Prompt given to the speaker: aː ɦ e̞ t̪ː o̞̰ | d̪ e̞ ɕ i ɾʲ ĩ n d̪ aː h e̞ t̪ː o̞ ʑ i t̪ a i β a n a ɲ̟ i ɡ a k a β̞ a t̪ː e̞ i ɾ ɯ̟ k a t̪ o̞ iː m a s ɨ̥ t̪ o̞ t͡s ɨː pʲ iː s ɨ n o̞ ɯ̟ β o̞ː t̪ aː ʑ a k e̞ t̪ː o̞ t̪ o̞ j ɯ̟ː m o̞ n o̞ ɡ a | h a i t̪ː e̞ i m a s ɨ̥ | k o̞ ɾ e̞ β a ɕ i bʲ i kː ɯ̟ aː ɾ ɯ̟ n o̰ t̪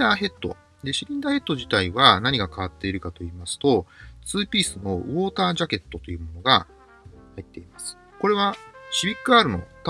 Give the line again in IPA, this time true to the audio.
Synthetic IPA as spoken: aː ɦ e̞ t̪ː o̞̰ | d̪ e̞ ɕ i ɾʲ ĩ n d̪ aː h e̞ t̪ː o̞ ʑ i t̪ a i β a n a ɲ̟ i ɡ a k a β̞ a t̪ː e̞ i ɾ ɯ̟ k a t̪ o̞ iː m a s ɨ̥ t̪ o̞ t͡s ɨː pʲ iː s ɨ n o̞ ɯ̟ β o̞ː t̪ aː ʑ a k e̞ t̪ː o̞ t̪ o̞ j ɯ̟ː m o̞ n o̞ ɡ a | h a i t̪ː e̞ i m a s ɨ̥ | k o̞ ɾ e̞ β a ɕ i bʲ i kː ɯ̟ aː ɾ ɯ̟ n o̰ t̪